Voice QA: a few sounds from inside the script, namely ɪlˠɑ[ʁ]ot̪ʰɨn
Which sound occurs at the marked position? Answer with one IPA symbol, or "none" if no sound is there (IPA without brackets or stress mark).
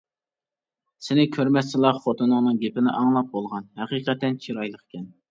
χ